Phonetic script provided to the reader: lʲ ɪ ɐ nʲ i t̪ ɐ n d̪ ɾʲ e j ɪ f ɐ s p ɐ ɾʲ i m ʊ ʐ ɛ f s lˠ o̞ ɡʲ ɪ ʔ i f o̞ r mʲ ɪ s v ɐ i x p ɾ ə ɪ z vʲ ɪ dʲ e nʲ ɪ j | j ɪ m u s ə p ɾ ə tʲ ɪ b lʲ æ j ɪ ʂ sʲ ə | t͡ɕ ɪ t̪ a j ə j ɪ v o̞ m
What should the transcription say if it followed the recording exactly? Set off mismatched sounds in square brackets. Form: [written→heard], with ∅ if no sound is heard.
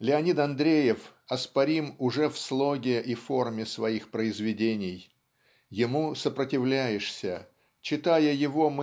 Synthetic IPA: lʲ ɪ ɐ nʲ i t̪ ɐ n d̪ ɾʲ e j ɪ f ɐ s p ɐ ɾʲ i m ʊ ʐ ɛ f s lˠ o̞ ɡʲ ɪ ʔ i f o̞ r mʲ ɪ s v ɐ i x p ɾ ə ɪ z vʲ ɪ dʲ e nʲ ɪ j | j ɪ m u s ə p ɾ ə tʲ ɪ [b→v] lʲ æ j ɪ ʂ sʲ ə | t͡ɕ ɪ t̪ a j ə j ɪ v o̞ m